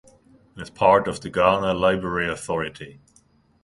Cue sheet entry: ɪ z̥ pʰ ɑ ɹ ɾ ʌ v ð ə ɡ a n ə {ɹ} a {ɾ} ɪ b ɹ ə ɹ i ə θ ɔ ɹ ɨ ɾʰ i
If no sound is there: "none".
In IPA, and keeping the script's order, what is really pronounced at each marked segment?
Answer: l, none

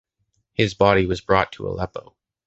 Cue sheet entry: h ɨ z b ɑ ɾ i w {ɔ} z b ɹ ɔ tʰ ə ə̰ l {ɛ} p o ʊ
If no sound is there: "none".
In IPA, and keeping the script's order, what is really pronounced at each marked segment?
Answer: ʌ, ɛ

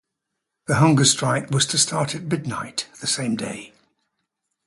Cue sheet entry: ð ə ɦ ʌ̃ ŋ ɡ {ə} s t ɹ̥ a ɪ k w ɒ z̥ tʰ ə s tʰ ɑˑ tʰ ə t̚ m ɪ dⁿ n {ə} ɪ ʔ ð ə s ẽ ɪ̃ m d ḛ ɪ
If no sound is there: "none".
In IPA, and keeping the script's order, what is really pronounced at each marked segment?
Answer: ə, a

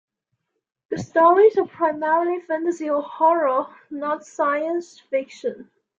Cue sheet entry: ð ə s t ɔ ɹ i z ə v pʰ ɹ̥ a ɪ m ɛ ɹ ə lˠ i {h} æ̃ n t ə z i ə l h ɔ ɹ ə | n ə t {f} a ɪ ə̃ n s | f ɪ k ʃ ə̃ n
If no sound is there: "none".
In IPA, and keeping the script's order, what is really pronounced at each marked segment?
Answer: f, s

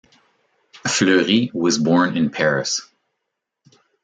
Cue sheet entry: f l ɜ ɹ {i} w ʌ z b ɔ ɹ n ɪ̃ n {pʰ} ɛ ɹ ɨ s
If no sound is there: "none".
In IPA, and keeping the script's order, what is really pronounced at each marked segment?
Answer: i, pʰ

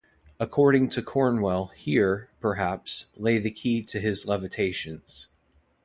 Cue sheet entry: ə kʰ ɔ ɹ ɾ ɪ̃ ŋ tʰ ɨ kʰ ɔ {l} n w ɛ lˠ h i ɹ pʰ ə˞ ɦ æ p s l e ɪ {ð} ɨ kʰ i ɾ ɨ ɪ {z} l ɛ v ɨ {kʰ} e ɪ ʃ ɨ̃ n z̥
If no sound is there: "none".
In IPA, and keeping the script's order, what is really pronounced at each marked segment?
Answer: ɹ, ð, z, tʰ

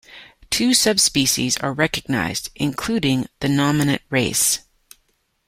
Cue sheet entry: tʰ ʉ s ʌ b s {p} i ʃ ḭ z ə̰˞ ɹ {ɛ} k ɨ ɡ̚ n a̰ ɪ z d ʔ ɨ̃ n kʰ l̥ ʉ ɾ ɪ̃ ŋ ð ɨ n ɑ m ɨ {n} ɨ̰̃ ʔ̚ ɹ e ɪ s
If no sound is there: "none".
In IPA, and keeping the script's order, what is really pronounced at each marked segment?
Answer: p, ɛ, n

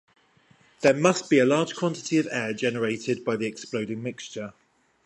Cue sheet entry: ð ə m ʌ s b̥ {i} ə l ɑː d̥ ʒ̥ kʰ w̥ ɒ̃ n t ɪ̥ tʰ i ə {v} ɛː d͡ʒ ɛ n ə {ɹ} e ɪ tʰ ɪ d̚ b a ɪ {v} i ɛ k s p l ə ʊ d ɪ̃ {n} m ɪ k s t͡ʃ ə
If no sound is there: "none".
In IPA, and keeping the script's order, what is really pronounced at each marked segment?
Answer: i, v, ɹ, ð, ŋ

